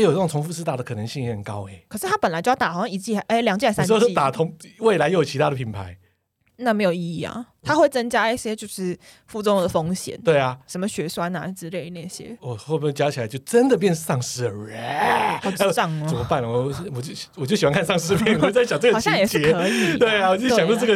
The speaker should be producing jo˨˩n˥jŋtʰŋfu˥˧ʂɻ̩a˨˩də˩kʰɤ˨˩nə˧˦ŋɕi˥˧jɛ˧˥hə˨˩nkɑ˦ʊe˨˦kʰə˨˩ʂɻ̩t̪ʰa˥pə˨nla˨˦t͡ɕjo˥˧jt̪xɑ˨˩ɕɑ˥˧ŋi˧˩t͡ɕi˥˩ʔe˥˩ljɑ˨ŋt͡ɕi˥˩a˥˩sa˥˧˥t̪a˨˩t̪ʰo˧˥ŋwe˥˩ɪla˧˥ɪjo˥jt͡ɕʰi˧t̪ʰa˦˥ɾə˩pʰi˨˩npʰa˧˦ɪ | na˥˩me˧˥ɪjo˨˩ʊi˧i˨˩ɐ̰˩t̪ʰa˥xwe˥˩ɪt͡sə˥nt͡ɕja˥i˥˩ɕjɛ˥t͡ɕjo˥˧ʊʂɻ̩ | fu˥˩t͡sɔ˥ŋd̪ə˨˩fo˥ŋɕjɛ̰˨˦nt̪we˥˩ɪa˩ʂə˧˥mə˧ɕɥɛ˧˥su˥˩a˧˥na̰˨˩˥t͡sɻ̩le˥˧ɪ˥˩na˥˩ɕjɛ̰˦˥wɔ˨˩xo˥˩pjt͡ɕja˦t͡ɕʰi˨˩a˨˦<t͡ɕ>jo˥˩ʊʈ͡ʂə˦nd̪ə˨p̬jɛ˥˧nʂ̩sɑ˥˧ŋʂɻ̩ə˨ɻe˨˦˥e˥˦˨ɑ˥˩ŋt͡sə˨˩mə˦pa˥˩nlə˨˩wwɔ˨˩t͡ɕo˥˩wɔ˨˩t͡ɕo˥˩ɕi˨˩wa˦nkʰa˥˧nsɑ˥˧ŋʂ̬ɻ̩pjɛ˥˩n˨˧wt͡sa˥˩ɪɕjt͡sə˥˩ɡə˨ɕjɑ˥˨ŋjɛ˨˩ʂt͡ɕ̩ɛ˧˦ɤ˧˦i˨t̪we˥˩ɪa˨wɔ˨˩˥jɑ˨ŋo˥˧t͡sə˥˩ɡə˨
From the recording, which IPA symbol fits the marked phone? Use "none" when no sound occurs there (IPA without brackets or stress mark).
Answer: t͡ɕ